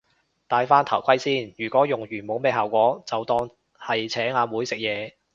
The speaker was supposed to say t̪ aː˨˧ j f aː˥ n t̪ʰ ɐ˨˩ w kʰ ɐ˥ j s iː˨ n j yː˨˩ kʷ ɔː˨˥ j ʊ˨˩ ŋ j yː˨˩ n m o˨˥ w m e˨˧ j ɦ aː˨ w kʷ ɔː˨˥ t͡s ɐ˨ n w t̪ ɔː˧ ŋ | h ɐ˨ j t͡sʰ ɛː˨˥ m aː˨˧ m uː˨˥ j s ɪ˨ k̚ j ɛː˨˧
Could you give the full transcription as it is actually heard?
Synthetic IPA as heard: t̪ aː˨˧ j f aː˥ n t̪ʰ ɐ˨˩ w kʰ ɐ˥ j s iː˥ n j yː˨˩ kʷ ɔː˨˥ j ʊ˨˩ ŋ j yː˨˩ n m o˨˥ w m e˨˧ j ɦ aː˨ w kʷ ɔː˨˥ t͡s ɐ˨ w t̪ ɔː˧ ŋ | h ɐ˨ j t͡sʰ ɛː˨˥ ŋ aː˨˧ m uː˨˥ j s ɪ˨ k̚ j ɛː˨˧